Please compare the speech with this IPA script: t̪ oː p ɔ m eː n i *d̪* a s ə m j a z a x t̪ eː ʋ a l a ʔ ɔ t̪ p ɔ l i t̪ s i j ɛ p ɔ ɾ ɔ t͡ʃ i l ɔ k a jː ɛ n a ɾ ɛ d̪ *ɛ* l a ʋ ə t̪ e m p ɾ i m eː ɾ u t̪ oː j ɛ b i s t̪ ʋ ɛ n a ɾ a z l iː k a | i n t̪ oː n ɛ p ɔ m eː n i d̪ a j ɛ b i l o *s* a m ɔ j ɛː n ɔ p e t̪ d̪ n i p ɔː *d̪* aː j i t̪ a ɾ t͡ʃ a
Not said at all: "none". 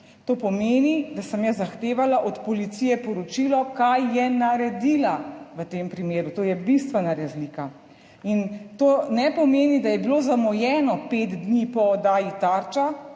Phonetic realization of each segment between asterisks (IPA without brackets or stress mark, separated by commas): d̪, i, z, d̪